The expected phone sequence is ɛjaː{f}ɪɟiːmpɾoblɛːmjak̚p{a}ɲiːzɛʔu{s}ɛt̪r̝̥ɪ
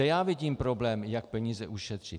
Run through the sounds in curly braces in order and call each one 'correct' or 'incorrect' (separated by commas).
incorrect, incorrect, incorrect